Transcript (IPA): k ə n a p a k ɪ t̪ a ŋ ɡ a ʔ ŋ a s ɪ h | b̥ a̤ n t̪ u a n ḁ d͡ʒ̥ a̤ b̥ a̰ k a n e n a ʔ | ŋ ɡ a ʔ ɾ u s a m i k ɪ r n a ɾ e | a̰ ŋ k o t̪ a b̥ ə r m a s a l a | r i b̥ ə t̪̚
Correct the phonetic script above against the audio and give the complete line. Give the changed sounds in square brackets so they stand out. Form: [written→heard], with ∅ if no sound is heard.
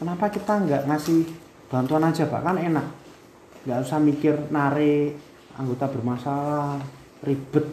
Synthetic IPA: k ə n a p a k [ɪ→i] t̪ a ŋ ɡ a ʔ ŋ a s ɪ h | b̥ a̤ n t̪ u a n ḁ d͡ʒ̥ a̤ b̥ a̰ k a n e n a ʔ | ŋ ɡ a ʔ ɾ u s a m i k ɪ r n a ɾ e | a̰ ŋ [k→ɡ] o t̪ a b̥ ə r m a s a l a | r i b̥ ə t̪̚